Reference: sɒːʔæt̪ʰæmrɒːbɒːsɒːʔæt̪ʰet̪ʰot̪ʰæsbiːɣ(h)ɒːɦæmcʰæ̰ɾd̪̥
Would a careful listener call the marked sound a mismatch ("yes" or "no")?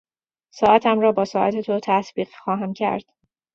yes